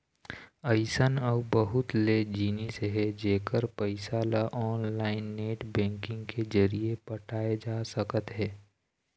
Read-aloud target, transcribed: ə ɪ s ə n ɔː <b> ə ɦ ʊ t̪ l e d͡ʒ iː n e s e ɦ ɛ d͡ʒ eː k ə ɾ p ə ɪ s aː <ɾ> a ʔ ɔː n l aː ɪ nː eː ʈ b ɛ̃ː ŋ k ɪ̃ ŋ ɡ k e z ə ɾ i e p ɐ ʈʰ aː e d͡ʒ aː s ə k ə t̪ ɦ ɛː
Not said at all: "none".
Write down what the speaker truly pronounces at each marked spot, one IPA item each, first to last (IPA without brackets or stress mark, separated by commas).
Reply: b, l